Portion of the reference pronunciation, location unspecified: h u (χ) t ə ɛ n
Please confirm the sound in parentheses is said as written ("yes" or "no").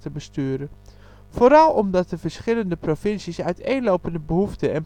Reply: no